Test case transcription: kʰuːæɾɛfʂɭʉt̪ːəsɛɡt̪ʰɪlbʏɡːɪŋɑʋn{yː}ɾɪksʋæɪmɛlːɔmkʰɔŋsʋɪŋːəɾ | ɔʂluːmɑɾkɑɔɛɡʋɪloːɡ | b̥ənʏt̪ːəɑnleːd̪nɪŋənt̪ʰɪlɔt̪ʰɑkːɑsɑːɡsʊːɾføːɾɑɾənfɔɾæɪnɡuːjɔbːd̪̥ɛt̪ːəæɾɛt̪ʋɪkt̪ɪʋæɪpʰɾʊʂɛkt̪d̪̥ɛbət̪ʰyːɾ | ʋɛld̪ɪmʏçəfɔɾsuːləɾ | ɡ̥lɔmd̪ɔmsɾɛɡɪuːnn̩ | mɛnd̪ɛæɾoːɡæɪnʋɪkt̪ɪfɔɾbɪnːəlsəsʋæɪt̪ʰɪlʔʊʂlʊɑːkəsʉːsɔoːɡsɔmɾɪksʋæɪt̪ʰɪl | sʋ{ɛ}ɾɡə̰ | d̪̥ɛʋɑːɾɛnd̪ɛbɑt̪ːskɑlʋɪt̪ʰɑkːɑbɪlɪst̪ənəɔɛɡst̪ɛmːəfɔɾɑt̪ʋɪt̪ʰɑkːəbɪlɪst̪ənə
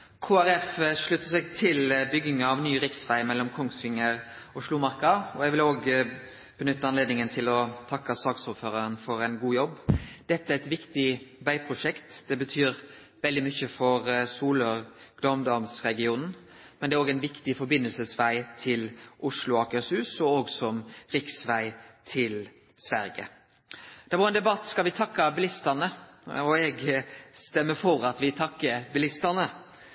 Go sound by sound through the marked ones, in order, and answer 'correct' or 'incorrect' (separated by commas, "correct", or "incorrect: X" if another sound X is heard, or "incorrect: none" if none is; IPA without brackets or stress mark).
correct, incorrect: æ